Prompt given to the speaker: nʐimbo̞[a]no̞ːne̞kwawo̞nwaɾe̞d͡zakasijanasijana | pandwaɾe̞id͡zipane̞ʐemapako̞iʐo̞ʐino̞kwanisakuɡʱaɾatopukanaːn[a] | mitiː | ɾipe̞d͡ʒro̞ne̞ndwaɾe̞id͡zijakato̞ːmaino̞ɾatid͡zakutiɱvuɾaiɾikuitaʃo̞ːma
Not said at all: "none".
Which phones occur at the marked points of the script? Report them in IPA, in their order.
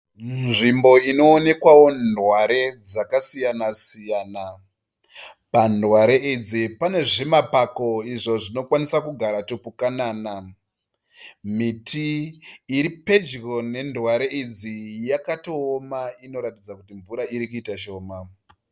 i, a

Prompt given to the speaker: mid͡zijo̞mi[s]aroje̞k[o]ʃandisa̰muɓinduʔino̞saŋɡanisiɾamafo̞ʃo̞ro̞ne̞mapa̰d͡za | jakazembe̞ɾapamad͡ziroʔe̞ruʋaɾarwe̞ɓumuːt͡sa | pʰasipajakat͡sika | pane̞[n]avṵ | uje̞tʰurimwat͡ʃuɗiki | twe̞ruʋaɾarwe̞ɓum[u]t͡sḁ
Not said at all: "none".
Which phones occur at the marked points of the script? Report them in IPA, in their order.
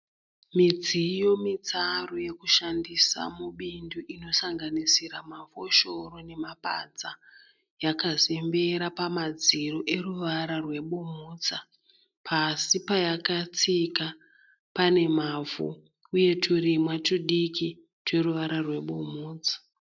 t͡s, u, m, uː

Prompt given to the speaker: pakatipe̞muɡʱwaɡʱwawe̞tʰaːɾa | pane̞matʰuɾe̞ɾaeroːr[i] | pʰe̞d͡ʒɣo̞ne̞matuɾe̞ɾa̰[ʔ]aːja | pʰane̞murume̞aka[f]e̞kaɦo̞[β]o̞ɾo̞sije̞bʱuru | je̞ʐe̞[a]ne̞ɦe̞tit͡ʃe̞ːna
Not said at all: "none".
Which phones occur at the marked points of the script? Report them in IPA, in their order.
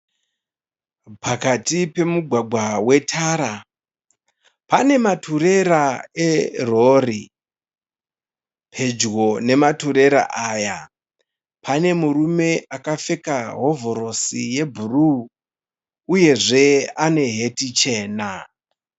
i, ʔ, f, v, a

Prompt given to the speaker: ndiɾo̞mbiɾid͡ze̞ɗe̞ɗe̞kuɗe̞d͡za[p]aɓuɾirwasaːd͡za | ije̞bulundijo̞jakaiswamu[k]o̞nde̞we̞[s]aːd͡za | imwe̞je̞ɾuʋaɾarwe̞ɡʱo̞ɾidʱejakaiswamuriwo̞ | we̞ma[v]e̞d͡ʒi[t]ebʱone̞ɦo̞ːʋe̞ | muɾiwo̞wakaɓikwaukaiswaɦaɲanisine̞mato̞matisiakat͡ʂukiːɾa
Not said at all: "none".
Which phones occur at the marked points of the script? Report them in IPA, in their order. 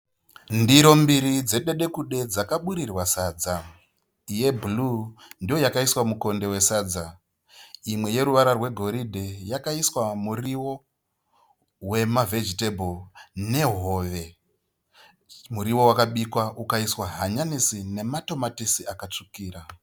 k, k, s, v, t

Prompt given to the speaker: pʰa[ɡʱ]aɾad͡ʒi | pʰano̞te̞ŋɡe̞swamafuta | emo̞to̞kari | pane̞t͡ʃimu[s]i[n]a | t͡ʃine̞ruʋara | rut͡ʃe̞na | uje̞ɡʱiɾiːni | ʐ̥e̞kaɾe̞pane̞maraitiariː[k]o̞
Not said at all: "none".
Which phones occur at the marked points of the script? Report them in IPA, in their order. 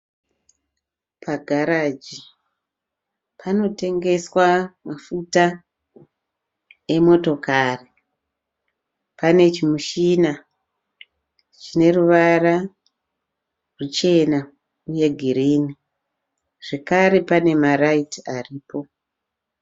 ɡʱ, ʃ, n, p

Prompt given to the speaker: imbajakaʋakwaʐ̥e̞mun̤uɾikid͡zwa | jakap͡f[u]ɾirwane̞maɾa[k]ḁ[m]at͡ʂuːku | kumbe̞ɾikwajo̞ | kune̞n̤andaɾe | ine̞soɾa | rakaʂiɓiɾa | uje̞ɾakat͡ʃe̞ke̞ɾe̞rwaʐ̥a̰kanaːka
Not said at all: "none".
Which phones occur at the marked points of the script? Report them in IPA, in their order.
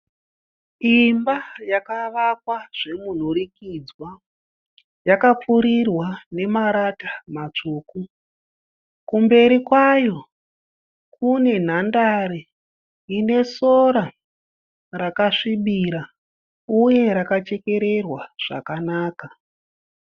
u, t, m

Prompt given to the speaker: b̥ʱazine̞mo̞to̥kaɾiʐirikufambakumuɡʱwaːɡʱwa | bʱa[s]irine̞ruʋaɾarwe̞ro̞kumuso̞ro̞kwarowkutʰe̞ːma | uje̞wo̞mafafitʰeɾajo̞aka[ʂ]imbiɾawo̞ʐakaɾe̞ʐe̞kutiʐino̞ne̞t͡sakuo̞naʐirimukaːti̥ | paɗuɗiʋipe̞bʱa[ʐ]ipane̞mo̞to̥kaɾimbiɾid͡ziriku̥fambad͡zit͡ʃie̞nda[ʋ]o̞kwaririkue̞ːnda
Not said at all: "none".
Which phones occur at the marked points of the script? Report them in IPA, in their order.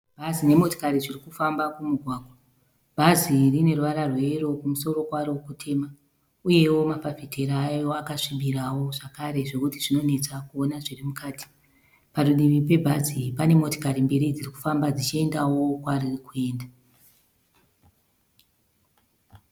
z, ʂ, z, w

